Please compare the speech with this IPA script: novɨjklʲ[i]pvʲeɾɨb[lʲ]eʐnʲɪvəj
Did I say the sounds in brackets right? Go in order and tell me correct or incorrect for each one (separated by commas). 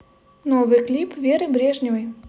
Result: correct, incorrect